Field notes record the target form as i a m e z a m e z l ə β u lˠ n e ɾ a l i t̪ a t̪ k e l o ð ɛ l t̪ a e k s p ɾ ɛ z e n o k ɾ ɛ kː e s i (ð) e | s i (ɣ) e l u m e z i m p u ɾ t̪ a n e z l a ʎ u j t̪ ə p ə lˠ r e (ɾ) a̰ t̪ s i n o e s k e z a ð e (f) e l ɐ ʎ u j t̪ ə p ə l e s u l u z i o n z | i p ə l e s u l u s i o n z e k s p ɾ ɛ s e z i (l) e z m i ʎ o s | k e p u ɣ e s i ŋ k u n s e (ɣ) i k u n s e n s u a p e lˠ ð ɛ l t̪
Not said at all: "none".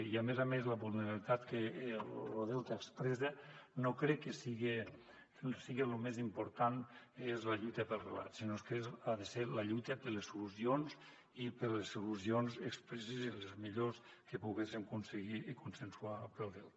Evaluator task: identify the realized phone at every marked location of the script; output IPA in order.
ɣ, ɣ, l, s, l, ɣ

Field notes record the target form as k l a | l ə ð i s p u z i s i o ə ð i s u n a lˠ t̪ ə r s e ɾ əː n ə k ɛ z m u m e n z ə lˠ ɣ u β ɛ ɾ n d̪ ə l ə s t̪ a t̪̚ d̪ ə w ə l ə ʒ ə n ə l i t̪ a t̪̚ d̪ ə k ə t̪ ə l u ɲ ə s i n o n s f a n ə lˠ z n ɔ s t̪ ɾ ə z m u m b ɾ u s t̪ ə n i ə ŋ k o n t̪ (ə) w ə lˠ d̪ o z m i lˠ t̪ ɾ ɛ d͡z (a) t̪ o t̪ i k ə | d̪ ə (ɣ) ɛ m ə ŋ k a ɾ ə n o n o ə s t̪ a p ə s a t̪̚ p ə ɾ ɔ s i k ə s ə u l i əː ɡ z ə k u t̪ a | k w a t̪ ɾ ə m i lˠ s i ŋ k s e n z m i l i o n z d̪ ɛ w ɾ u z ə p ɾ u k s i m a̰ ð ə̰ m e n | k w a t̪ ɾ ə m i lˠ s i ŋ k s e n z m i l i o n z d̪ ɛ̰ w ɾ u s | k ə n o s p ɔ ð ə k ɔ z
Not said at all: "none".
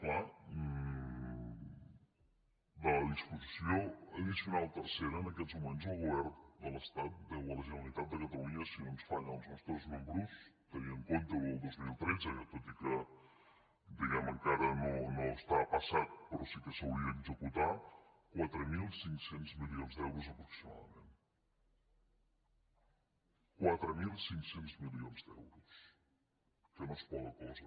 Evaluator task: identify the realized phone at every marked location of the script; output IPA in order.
ə, ə, ɣ

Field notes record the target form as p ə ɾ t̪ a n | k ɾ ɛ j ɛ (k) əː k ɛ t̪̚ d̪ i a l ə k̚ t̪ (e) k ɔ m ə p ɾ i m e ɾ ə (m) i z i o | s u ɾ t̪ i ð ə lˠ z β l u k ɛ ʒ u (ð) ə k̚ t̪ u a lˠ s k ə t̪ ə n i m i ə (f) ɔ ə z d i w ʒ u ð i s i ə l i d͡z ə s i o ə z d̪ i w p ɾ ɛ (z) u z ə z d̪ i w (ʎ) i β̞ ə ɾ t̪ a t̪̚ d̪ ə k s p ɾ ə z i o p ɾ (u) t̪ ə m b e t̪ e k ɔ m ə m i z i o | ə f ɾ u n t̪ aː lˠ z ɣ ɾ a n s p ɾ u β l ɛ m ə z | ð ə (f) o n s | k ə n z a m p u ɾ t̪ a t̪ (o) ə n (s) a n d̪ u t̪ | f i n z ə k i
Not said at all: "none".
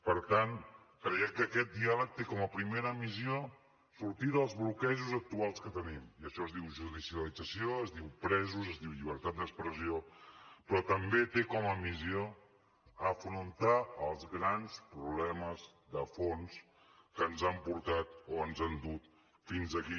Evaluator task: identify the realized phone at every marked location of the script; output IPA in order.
k, e, m, z, ʃ, z, ʎ, ɔ, f, o, z

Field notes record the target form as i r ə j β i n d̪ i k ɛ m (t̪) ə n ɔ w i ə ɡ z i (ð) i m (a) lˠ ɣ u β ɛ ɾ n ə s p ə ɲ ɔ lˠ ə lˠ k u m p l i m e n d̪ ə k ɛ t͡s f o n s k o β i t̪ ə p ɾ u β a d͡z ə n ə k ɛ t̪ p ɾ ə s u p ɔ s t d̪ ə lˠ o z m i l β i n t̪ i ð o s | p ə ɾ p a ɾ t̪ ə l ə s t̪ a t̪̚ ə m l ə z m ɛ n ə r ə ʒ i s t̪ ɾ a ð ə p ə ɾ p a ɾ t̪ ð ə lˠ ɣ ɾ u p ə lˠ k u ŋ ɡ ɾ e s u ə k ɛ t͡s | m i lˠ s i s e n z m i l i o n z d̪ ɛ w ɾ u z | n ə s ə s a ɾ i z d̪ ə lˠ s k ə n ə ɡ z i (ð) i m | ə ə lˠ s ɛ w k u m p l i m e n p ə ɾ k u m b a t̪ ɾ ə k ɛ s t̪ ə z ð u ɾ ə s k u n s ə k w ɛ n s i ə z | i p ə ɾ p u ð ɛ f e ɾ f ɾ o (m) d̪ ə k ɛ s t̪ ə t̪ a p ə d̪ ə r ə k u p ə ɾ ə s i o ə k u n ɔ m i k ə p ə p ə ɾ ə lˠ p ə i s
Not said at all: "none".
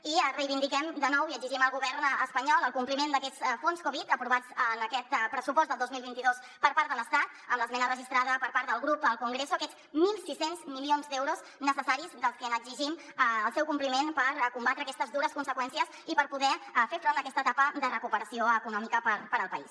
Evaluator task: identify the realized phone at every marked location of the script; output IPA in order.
d̪, ʒ, ə, ʒ, n

